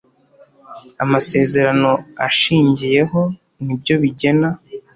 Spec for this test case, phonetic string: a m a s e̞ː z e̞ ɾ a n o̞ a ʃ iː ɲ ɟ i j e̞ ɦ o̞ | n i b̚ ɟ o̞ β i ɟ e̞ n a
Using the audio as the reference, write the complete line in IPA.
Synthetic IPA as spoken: a m a s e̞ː z e̞ ɾ a n o̞ a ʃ iː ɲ ɟ i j e̞ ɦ o̞ | n i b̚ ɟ o̞ β i ɟ e̞ n a